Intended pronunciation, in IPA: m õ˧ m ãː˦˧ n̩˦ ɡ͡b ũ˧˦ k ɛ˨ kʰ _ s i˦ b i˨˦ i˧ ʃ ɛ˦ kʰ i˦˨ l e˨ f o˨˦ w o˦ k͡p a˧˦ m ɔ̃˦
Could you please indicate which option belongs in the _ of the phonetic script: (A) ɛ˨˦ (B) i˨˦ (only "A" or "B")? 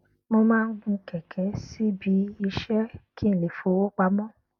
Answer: A